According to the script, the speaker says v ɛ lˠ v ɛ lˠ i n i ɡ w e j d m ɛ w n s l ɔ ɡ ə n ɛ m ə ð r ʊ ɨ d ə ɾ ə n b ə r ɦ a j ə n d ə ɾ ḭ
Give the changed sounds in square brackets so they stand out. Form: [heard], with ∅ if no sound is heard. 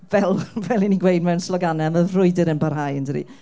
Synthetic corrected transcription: v ɛ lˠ v ɛ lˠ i n i ɡ w e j d m ɛ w n s l ɔ ɡ [a] n ɛ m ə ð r ʊ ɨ d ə ɾ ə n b [a] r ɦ a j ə n d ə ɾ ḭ